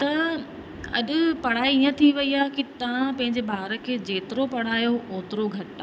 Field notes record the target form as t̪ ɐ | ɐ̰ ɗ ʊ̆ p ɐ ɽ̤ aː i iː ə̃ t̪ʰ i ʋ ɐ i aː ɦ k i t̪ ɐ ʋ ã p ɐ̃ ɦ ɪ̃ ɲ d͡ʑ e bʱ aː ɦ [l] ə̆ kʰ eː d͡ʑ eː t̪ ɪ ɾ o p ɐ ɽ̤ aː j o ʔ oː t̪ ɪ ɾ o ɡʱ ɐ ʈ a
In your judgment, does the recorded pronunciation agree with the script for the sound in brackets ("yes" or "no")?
no